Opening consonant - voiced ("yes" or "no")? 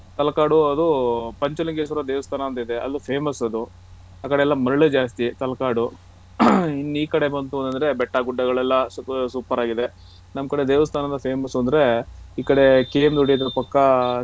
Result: no